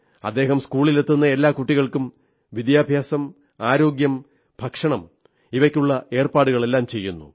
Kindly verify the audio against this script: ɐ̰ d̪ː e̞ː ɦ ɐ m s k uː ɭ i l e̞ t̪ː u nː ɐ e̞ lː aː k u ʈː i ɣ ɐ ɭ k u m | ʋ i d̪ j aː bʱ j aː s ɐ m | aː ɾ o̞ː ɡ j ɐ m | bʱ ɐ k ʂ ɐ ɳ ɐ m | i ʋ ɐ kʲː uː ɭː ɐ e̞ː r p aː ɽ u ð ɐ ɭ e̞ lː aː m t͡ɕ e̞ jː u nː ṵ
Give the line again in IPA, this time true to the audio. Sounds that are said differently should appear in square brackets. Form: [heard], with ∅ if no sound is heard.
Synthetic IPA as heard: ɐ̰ d̪ː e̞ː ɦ ɐ m s k uː ɭ i l e̞ t̪ː u nː ɐ e̞ lː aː k u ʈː i ɣ ɐ ɭ k u m | ʋ i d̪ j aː bʱ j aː s ɐ m | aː ɾ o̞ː ɡ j ɐ m | bʱ ɐ k ʂ ɐ ɳ ɐ m | i ʋ ɐ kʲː [u] ɭː ɐ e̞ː r p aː ɽ u [ɣ] ɐ ɭ e̞ lː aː m t͡ɕ e̞ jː u nː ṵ